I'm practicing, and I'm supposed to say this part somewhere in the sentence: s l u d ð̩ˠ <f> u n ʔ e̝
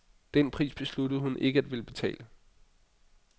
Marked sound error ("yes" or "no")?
yes